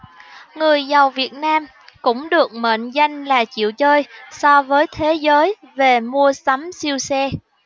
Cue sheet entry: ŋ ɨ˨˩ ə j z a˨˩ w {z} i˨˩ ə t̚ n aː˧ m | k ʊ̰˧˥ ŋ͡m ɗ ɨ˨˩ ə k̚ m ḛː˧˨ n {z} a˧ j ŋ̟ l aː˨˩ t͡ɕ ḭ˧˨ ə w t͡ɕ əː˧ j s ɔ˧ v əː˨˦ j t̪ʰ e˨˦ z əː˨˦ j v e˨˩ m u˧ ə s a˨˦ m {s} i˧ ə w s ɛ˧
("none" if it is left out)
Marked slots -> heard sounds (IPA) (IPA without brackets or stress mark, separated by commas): v, z, s